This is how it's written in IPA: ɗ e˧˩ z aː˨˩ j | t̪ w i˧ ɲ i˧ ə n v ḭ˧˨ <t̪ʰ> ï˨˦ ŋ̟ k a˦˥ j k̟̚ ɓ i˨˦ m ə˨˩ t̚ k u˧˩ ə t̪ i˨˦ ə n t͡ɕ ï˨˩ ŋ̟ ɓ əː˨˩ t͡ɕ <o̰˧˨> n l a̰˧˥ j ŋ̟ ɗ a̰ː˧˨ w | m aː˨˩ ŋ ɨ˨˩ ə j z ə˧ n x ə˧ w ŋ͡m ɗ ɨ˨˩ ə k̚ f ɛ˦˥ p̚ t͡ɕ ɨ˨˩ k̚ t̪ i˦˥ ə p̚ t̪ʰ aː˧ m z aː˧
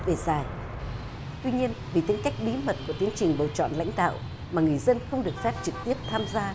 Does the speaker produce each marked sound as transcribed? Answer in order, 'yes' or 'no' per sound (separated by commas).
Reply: no, no